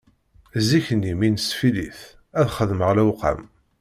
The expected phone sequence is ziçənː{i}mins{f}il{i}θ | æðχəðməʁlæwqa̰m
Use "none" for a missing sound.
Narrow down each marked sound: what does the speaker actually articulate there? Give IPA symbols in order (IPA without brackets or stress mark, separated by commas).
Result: i, f, i